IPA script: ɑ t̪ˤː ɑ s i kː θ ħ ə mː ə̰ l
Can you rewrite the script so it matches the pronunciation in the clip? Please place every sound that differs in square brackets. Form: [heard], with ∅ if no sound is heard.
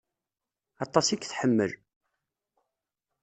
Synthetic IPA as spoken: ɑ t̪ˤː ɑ s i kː θ ħ ə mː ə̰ l